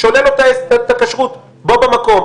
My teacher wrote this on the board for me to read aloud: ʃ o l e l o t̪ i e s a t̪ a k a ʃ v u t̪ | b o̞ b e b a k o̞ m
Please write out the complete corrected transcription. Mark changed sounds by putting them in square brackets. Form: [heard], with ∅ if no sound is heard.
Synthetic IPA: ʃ o l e l o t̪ [a] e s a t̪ a k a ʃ [ʁ] u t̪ | b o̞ b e [m] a k o̞ m